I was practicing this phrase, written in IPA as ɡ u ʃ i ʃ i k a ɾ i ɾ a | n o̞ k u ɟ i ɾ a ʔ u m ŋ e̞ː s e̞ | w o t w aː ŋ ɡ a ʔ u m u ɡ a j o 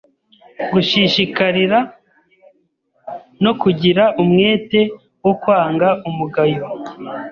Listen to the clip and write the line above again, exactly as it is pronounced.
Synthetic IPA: ɡ u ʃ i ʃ i k a ɾ i ɾ a | n o̞ k u ɟ i ɾ a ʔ u m ŋ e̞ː t e̞ | w o k w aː ŋ ɡ a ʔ u m u ɡ a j o